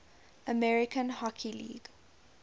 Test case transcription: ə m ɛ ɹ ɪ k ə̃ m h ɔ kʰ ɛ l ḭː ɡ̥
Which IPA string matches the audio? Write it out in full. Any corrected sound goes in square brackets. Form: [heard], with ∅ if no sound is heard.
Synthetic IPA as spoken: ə m ɛ ɹ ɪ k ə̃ [n] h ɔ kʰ [i] l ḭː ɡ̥